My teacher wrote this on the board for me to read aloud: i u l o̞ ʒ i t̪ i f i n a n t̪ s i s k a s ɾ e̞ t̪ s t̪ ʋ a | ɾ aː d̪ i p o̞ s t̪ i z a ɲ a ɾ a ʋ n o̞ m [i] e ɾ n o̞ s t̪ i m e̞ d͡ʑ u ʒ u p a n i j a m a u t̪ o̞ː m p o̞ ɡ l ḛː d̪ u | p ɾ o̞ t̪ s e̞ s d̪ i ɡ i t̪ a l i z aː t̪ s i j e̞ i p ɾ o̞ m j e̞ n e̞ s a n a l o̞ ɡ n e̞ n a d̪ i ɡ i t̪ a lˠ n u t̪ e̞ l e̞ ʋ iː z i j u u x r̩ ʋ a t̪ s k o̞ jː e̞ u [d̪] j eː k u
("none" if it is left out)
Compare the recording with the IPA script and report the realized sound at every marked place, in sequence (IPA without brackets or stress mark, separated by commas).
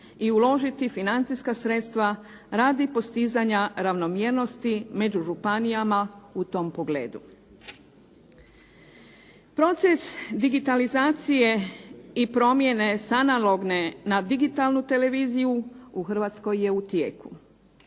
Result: j, t̪